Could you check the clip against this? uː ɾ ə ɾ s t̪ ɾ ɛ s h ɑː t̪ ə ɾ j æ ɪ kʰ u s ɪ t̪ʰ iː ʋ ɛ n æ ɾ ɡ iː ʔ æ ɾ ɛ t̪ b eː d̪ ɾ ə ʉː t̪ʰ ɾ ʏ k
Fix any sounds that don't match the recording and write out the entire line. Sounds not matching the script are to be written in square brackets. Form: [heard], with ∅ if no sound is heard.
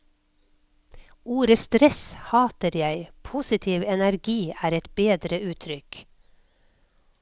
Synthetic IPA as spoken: uː ɾ ə [∅] s t̪ ɾ ɛ s h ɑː t̪ ə ɾ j æ ɪ [pʰ] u s ɪ t̪ʰ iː ʋ ɛ n æ ɾ ɡ iː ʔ [æː] ɾ ɛ t̪ b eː d̪ ɾ ə ʉː t̪ʰ ɾ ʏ k